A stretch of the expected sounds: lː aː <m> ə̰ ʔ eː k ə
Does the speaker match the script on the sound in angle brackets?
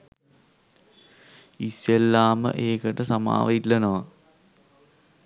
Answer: yes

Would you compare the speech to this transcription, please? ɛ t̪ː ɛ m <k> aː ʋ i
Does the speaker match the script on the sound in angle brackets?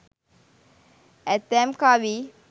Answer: yes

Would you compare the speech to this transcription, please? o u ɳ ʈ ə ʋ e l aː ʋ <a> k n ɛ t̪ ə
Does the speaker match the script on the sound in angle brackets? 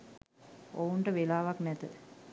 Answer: yes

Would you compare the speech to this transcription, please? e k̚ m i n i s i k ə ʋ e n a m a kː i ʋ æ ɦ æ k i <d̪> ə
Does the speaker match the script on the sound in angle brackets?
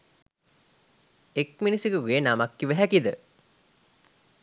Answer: yes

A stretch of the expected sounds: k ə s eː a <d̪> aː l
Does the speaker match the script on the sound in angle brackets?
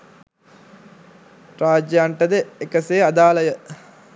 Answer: yes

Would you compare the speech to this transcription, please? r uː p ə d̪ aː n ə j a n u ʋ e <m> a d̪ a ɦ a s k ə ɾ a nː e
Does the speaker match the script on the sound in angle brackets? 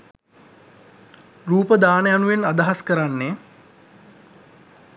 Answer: no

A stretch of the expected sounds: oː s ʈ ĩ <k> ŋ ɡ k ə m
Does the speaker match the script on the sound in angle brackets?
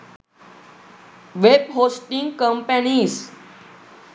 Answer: no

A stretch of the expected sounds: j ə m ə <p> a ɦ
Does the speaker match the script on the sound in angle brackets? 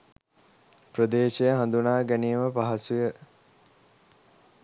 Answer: yes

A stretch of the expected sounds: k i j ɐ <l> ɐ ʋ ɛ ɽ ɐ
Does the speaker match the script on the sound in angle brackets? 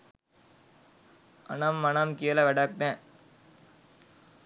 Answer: yes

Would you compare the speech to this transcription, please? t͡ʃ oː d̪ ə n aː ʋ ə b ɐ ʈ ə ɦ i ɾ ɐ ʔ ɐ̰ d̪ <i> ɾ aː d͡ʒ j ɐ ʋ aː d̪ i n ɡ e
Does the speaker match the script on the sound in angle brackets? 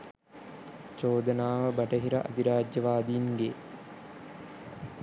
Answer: yes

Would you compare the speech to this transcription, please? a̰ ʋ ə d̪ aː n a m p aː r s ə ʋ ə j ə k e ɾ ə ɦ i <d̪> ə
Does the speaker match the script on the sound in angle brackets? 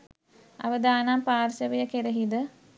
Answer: yes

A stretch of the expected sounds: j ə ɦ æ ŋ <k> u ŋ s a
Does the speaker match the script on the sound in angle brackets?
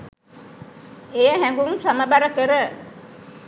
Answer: no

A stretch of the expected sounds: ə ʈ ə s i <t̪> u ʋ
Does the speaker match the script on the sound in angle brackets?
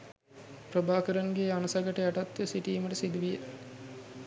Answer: no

